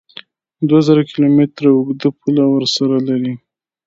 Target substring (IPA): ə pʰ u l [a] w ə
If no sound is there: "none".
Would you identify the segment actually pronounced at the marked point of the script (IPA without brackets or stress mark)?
a